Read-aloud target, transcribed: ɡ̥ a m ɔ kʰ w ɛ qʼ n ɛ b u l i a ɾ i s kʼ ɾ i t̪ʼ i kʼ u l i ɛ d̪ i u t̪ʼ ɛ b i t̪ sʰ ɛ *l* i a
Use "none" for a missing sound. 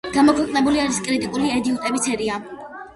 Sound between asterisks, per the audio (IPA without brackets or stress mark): ɾ